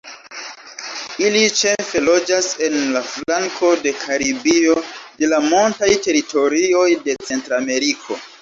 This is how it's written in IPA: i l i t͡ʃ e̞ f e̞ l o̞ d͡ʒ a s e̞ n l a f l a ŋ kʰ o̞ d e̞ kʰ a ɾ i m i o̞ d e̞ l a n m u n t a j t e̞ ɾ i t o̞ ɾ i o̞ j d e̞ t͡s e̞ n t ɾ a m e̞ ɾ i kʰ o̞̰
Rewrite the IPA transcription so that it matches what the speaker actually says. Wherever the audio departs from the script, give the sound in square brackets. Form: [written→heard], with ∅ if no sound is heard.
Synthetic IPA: i l i t͡ʃ e̞ f e̞ l o̞ d͡ʒ a s e̞ n l a f l a ŋ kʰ o̞ d e̞ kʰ a ɾ i [m→b] i o̞ d e̞ l a [n→∅] m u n t a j t e̞ ɾ i t o̞ ɾ i o̞ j d e̞ t͡s e̞ n t ɾ a m e̞ ɾ i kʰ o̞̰